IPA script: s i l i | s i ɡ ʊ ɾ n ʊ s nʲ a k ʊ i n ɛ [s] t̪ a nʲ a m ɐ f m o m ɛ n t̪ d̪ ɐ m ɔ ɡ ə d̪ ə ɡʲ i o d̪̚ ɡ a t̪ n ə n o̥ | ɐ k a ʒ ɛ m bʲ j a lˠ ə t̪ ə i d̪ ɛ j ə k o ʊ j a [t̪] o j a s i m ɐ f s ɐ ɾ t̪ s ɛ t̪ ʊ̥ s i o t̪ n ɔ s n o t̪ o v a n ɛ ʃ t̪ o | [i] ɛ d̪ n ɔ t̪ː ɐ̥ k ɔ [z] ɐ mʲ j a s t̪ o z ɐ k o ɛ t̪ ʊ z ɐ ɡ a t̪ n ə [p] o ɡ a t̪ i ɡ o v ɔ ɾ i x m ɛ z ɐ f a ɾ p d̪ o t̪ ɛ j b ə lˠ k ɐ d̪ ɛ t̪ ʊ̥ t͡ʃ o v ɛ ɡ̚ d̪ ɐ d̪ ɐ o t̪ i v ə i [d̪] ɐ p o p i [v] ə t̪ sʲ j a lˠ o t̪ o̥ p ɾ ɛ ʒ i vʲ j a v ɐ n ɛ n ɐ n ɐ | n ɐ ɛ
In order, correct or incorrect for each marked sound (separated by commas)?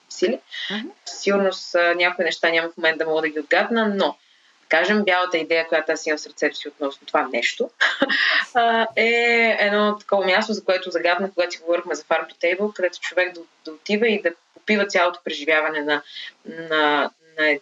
incorrect, correct, incorrect, incorrect, incorrect, correct, correct